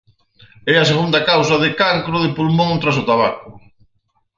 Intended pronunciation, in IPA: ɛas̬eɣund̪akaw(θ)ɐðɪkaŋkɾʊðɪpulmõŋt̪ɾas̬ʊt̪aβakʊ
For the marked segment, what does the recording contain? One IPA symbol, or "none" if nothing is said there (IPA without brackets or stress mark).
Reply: s